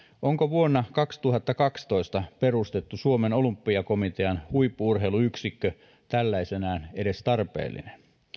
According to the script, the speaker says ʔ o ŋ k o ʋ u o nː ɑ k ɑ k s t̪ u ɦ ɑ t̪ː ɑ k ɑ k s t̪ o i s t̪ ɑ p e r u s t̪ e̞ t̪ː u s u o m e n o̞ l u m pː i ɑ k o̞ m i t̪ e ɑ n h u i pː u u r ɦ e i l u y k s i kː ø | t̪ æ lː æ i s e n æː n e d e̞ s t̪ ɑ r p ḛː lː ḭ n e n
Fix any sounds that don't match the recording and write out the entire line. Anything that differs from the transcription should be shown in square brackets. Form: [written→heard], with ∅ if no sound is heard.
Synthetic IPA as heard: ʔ o ŋ k o ʋ u o nː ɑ k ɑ k s t̪ u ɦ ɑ t̪ː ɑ k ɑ k s t̪ o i s t̪ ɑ p e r u s t̪ e̞ t̪ː u s u o m e n o̞ l u m pː i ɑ k o̞ m i t̪ e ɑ n h u i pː u u r ɦ e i l u y k s i kː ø | t̪ æ lː æ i s e n æː n e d e̞ s t̪ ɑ r p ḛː lː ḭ n e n

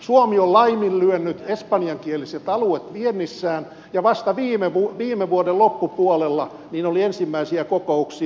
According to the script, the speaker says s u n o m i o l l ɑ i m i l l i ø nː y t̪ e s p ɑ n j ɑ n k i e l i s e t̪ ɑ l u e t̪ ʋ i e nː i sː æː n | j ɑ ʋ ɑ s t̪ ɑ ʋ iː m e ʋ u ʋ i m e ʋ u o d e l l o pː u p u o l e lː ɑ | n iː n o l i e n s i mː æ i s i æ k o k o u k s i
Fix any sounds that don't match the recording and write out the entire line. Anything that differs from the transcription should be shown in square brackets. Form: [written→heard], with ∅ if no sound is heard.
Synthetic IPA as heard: s u [n→∅] o m i o l l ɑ i m i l l [i→y] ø nː y t̪ e s p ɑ n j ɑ [n→ŋ] k i e l i s e t̪ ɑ l u e t̪ ʋ i e nː i sː æː n | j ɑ ʋ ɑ s t̪ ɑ ʋ iː m e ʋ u ʋ [i→iː] m e ʋ u o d e l l o pː u p u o l e lː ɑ | n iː n o l i e n s i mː æ i s i æ k o k o u k s i

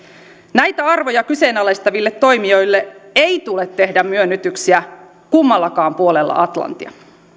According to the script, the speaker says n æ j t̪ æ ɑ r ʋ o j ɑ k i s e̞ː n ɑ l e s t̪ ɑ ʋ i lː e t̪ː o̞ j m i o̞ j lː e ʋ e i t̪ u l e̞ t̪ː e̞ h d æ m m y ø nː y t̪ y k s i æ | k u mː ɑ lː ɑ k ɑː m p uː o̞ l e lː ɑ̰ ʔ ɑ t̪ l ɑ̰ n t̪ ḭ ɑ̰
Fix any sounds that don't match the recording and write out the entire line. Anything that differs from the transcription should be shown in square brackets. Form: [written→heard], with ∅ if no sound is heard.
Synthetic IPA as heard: n æ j t̪ æ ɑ r ʋ o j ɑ k [i→y] s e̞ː n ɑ l e s t̪ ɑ ʋ i lː e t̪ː o̞ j m i o̞ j lː e [ʋ→∅] e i t̪ u l e̞ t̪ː e̞ h d æ m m y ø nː y t̪ y k s i æ | k u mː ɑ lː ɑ k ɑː m p [uː→u] o̞ l e lː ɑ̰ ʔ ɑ t̪ l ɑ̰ n t̪ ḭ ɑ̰

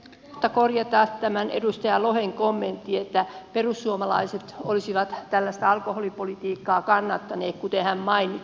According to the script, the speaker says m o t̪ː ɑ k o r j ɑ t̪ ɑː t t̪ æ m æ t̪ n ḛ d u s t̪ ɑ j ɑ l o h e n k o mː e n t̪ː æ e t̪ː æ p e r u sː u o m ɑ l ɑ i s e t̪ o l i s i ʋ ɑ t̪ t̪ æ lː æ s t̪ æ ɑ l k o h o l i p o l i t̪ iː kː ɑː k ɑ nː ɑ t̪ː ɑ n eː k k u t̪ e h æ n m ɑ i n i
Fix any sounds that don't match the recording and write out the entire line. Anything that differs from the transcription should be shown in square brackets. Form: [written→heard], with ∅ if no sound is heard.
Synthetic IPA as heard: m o t̪ː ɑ k o r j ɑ t̪ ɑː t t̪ æ m æ [t̪→∅] n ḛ d u s t̪ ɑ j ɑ l o h e [n→ŋ] k o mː e n t̪ː [æ→i] e t̪ː æ p e r u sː u o m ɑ l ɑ i s e t̪ o l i s i ʋ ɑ t̪ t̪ æ lː æ s t̪ æ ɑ l k o h o l i p o l i t̪ iː kː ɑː k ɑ nː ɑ t̪ː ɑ n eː k k u t̪ e h æ [n→m] m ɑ i n i

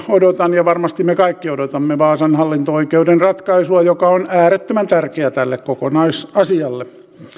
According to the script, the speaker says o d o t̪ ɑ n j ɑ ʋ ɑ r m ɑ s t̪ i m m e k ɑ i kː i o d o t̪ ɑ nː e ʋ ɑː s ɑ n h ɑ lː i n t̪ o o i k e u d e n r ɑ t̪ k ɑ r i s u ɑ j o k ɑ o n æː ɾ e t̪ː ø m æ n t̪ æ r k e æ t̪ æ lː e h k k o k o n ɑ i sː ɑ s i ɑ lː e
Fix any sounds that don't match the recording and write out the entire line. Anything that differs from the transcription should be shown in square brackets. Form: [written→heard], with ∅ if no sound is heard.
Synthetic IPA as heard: o d o t̪ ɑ n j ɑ ʋ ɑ r m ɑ s t̪ i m m e k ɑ i kː i o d o t̪ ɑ [nː→mː] e ʋ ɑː s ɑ n h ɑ lː i n t̪ o o i k e u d e n r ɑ t̪ k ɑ [r→∅] i s u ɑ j o k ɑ o n æː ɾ e t̪ː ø m æ n t̪ æ r k e æ t̪ æ lː e [h→∅] k k o k o n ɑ i [sː→s] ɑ s i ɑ lː e

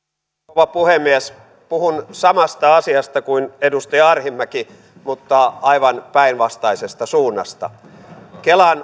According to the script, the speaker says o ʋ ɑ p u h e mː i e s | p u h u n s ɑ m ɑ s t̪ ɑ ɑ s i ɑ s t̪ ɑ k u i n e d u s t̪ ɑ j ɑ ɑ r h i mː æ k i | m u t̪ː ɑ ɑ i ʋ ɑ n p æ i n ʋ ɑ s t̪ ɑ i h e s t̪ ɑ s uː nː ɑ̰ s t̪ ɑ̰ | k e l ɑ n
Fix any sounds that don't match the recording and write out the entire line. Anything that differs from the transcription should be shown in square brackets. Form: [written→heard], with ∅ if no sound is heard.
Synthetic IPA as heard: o ʋ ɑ p u h e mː i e s | p u h u n s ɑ m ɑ s t̪ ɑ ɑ s i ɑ s t̪ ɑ k u i n e d u s t̪ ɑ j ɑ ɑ r h i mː æ k i | m u t̪ː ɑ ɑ i ʋ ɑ n p æ i n ʋ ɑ s t̪ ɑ i [h→s] e s t̪ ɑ s uː nː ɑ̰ s t̪ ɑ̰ | k e l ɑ n

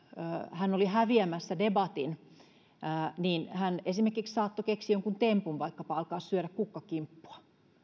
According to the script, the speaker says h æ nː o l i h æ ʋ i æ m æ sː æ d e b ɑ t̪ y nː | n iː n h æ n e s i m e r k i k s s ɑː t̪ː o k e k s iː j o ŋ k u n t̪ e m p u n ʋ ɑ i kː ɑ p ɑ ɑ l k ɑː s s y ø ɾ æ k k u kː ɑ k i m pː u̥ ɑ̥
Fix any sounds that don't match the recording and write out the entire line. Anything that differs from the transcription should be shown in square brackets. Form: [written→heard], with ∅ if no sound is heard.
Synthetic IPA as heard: h æ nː o l i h æ ʋ i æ m æ sː æ d e b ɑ t̪ [y→i] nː | n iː n h æ n e s i m e r k i k s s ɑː t̪ː o k e k s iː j o ŋ k u n t̪ e m p u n ʋ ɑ i kː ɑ p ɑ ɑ l k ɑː s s y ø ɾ æ k k u kː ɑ k i m pː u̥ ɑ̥

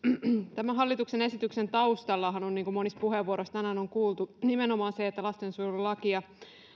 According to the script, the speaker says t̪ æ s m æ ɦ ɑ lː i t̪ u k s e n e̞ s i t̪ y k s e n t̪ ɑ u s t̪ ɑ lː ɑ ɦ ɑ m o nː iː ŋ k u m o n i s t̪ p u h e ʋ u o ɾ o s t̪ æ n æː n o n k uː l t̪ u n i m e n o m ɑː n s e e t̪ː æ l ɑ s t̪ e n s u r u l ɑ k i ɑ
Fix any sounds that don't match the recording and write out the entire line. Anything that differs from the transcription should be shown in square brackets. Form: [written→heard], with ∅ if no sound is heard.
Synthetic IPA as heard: t̪ æ [s→∅] m æ ɦ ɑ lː i t̪ u k s e n e̞ s i t̪ y k s e n t̪ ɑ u s t̪ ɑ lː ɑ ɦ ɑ [m→n] o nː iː ŋ k u m o n i s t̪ p u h e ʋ u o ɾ o s t̪ æ n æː n o [n→ŋ] k uː l t̪ u n i m e n o m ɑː n s e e t̪ː æ l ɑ s t̪ e n s u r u l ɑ k i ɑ

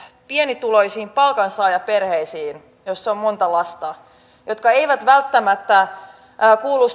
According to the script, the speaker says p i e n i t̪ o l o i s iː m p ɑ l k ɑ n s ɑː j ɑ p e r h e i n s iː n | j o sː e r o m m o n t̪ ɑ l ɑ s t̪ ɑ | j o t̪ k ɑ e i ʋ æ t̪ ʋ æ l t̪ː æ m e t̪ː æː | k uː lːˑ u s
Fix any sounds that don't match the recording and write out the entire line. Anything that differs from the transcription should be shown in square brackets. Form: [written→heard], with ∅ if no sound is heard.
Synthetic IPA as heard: p i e n i t̪ [o→u] l o i s iː m p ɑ l k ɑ n s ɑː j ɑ p e r h e i [n→∅] s iː n | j o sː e [r→∅] o m m o n t̪ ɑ l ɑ s t̪ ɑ | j o t̪ k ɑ e i ʋ æ t̪ ʋ æ l t̪ː æ m [e→æ] t̪ː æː | k uː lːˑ u s

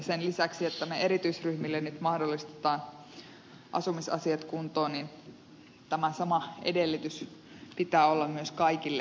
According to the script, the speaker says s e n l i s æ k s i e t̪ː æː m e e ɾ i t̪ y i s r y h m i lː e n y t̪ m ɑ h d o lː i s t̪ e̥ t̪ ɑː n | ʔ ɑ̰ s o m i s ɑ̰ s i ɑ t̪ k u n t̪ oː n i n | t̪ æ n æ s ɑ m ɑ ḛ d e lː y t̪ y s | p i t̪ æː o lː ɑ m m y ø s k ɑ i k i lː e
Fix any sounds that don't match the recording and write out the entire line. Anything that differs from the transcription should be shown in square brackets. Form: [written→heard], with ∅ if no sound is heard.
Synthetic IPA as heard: s e n l i s æ k s i e t̪ː [æː→æ] m e e ɾ i t̪ y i s r y h m i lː e n y t̪ m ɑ h d o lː i s t̪ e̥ t̪ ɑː n | ʔ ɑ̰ s [o→u] m i s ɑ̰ s i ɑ t̪ k u n t̪ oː n i n | t̪ æ [n→m] æ s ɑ m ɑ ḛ d e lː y t̪ y s | p i t̪ æː o lː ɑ m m y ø s k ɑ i k i lː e

